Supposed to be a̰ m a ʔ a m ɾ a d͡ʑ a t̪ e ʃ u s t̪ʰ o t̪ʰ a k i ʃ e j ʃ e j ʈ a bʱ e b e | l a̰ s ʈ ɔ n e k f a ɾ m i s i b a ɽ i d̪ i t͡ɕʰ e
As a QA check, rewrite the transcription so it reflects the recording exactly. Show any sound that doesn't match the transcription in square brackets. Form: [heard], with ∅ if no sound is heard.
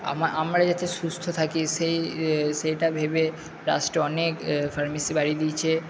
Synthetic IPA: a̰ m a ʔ a m ɾ a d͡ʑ a t̪ e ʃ u s t̪ʰ o t̪ʰ a k i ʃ e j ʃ e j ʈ a bʱ e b e | [ɾ] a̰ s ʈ ɔ n e k f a ɾ m i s i b a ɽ i d̪ i t͡ɕʰ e